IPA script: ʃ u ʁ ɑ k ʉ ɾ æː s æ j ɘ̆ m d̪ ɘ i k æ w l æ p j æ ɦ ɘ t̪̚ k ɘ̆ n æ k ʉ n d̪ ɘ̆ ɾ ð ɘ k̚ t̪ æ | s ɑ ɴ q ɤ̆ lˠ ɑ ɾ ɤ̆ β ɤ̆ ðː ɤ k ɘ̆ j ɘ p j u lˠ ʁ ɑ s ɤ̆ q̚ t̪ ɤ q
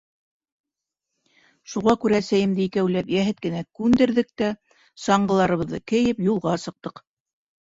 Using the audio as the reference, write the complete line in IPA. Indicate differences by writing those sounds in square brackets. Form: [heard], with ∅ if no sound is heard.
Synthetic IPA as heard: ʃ u ʁ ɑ k ʉ ɾ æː s æ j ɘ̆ m d̪ ɘ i k æ w l æ p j æ ɦ ɘ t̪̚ k ɘ̆ n æ k ʉ n d̪ ɘ̆ ɾ ð ɘ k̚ t̪ æ | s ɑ ɴ [ɢ] ɤ̆ lˠ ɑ ɾ ɤ̆ β ɤ̆ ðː ɤ k ɘ̆ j ɘ p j u lˠ ʁ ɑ s ɤ̆ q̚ t̪ ɤ q